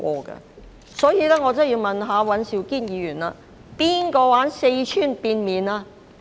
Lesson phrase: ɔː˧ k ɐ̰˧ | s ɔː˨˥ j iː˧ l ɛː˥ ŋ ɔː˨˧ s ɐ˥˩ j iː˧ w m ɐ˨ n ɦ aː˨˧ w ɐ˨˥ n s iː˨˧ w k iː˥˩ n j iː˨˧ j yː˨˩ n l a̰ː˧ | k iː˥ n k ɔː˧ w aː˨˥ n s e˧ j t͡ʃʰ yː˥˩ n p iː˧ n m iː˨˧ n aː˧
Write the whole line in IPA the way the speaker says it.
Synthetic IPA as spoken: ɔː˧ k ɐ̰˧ | s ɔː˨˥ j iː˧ l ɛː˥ ŋ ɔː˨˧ t͡s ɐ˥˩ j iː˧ w m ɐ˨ n ɦ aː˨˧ w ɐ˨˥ n s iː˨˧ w k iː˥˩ n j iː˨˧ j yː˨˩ n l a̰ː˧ | p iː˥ n k ɔː˧ w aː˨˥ n s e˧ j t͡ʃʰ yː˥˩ n p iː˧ n m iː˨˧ n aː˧

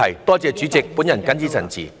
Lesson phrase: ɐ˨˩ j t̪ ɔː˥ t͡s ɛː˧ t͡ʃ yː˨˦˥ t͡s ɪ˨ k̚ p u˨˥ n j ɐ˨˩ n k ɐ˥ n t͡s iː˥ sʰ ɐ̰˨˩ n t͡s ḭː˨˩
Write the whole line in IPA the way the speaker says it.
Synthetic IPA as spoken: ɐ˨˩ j t̪ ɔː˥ t͡s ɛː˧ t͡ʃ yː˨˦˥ t͡s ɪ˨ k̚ p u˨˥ n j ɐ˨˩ n k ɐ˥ n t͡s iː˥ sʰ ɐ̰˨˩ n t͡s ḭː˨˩

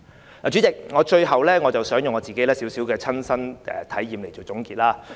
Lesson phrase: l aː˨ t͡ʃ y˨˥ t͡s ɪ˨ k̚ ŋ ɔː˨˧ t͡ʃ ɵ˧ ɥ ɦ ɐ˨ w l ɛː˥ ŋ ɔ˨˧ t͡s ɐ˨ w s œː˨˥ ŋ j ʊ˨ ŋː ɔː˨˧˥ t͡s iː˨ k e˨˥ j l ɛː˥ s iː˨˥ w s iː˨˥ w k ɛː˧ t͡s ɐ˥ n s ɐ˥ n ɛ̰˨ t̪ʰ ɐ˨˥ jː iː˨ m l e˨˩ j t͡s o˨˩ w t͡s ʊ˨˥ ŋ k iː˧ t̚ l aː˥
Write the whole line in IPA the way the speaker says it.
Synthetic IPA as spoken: l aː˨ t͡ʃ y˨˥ t͡s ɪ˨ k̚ ŋ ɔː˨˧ t͡ʃ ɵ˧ ɥ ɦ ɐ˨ w l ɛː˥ ŋ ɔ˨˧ t͡s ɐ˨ w s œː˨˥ ŋ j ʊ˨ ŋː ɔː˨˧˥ t͡s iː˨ k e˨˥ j l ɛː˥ s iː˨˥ w s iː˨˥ w k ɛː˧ t͡sʰ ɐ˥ n s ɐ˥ n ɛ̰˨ t̪ʰ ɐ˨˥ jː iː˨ m l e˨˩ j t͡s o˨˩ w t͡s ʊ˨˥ ŋ k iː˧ t̚ l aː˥

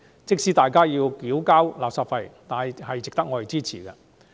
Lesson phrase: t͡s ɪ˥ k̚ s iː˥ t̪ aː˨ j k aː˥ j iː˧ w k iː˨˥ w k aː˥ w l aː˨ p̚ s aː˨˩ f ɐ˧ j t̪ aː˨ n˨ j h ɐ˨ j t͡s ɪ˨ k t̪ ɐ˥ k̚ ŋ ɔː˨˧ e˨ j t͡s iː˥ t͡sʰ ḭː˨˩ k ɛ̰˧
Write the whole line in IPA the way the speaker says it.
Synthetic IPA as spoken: t͡s ɪ˥ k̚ s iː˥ t̪ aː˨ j k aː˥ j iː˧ w k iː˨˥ w k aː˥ w l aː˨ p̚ s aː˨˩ f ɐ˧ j t̪ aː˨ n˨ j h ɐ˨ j t͡s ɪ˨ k t̪ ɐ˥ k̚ ŋ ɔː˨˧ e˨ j t͡s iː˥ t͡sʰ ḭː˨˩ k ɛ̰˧

